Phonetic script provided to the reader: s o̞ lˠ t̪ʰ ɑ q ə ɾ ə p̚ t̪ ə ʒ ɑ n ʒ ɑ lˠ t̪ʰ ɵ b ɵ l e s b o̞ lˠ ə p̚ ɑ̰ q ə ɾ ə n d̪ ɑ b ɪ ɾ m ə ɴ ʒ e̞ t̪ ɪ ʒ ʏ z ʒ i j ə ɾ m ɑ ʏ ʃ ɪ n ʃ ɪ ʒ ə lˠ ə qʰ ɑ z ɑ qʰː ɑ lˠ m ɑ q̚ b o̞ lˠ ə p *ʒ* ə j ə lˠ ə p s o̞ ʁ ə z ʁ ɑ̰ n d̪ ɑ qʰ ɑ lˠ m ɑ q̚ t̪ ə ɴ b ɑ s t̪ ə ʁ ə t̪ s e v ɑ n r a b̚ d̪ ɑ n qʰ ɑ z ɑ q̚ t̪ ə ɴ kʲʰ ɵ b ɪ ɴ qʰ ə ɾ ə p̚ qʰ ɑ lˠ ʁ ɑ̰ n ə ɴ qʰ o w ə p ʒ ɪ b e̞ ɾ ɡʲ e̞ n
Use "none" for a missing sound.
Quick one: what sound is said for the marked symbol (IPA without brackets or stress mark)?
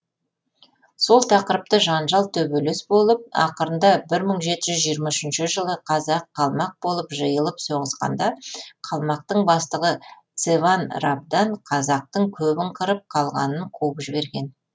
ʒ